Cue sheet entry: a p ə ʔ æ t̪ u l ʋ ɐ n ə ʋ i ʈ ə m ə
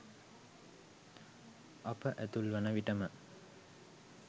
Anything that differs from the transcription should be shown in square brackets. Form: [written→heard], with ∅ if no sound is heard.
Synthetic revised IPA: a p ə ʔ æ t̪ u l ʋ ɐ n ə ʋ i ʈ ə m ə